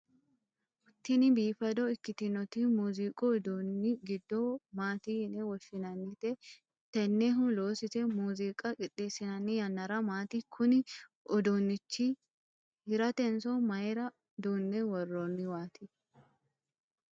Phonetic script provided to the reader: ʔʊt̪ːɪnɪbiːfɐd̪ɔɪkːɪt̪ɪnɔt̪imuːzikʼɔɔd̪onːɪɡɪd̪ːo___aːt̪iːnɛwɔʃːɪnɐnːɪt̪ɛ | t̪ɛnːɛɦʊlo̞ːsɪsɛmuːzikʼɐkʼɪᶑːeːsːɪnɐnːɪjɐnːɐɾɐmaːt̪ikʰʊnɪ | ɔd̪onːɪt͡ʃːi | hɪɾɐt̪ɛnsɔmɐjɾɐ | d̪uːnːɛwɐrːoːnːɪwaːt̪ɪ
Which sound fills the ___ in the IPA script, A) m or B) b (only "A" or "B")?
A